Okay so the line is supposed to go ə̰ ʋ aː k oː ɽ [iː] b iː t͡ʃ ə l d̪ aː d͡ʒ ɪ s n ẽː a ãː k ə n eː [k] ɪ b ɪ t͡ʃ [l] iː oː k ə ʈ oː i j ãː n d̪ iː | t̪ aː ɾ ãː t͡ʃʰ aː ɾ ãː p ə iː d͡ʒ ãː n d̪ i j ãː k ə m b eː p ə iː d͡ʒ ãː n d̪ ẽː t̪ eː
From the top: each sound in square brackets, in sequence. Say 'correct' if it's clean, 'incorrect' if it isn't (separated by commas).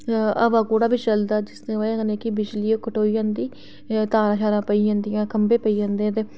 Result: incorrect, correct, correct